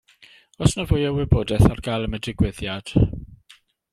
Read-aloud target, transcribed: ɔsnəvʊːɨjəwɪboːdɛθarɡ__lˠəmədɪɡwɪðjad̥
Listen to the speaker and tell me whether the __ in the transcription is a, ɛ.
a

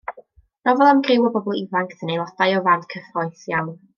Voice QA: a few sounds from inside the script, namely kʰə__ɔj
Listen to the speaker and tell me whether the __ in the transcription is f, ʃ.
f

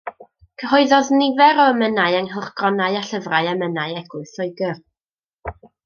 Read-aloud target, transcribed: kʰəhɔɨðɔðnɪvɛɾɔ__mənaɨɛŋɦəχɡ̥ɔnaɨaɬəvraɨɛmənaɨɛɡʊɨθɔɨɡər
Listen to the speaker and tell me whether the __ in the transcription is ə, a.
ə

